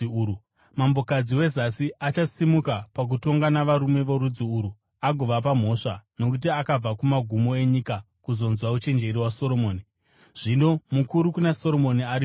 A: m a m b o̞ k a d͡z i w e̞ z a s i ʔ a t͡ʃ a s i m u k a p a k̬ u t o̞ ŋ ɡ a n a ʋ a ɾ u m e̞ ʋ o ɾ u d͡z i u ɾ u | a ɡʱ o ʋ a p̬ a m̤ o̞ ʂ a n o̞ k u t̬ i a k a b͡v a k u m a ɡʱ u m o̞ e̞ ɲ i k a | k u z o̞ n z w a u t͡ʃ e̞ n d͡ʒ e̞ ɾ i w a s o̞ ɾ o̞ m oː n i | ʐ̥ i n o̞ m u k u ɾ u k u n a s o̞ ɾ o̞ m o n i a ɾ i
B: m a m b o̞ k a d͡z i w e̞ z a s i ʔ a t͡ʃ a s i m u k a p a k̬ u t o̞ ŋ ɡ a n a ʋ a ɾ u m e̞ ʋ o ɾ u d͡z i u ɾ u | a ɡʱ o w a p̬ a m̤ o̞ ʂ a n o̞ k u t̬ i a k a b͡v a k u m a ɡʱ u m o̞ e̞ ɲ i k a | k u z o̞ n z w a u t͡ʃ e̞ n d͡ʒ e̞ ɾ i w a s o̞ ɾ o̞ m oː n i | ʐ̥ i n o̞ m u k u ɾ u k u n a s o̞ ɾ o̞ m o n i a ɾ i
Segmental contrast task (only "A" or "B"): A